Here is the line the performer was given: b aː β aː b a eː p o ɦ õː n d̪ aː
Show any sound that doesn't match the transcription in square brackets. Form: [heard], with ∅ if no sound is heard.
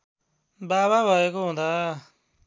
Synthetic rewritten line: b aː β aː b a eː [k] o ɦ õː n d̪ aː